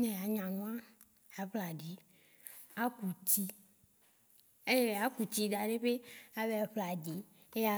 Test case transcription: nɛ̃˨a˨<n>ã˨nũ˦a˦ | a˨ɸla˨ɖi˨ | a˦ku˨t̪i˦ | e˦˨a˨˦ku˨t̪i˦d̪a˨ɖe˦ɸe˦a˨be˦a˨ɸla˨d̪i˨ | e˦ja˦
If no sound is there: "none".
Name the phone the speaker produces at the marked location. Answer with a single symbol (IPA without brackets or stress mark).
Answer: ɲ